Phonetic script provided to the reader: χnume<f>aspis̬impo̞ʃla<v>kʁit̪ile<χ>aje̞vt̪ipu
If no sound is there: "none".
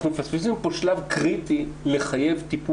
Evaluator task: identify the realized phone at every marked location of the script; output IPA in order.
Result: f, v, χ

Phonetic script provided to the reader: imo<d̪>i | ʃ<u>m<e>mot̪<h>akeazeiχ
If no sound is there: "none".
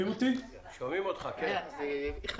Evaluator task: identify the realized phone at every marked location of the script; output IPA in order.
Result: t̪, o, i, χ

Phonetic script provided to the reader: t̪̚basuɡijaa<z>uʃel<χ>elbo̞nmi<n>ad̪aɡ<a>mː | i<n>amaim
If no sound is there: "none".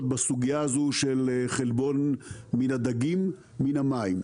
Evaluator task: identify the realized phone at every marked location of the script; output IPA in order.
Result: z, χ, n, i, n

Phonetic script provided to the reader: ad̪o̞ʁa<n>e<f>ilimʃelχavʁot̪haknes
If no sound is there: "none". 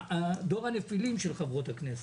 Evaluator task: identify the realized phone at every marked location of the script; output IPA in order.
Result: n, f

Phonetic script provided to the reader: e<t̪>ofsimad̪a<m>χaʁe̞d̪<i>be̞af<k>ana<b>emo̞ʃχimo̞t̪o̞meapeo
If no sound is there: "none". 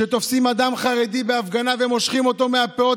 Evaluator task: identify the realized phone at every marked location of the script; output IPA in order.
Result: t̪, m, i, ɡ, v

